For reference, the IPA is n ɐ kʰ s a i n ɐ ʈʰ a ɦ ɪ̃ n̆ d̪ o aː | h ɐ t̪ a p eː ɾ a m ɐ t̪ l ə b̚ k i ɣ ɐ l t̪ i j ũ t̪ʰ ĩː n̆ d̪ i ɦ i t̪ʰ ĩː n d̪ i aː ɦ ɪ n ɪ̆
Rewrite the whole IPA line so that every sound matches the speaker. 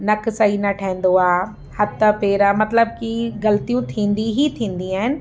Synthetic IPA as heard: n ɐ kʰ s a i n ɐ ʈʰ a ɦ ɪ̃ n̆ d̪ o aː | h ɐ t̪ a p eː ɾ a m ɐ t̪ l ə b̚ k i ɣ ɐ l t̪ i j ũ t̪ʰ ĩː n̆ d̪ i ɦ i t̪ʰ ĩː n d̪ i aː ɦ ɪ n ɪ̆